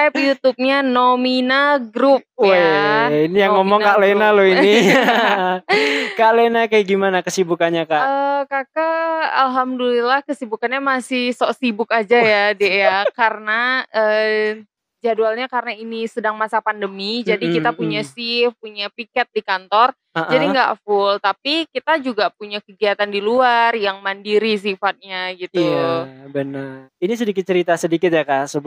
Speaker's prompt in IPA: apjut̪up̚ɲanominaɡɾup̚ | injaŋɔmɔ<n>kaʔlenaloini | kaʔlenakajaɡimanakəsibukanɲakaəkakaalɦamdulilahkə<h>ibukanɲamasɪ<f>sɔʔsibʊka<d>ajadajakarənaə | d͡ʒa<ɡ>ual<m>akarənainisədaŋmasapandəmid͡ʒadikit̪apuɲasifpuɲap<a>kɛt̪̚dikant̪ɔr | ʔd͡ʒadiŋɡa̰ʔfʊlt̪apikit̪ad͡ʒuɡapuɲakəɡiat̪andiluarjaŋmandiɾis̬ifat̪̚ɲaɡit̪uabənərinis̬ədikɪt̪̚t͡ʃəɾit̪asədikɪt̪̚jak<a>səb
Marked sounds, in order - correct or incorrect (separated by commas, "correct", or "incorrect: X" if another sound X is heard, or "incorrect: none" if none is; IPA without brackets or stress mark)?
incorrect: ŋ, incorrect: s, incorrect: h, incorrect: d͡ʒ, incorrect: d, incorrect: ɲ, incorrect: i, correct